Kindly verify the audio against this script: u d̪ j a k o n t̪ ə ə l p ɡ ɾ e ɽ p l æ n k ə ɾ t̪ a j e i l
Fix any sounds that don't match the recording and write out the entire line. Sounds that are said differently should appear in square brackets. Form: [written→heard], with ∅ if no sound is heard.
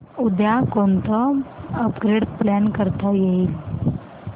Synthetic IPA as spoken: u d̪ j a k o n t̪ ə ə [l→∅] p ɡ ɾ e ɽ p l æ n k ə ɾ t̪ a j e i l